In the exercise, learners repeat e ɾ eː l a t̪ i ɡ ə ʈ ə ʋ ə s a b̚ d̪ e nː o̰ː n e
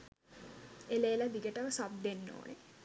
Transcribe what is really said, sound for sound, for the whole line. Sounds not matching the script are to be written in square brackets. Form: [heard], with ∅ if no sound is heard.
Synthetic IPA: e [l] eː l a [d̪] i ɡ ə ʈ ə ʋ ə s a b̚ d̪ e nː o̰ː n e